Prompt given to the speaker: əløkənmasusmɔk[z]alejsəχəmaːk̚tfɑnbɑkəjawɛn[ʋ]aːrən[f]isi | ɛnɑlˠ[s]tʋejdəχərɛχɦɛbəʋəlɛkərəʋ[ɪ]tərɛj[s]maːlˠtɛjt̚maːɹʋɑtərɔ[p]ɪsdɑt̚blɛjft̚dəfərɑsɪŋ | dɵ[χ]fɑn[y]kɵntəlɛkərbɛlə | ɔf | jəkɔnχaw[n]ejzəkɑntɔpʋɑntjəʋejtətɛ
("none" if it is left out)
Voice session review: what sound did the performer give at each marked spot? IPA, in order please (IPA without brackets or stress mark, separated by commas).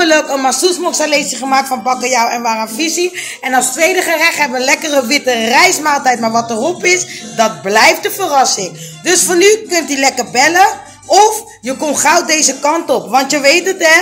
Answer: s, ʋ, f, s, ɪ, s, p, s, y, d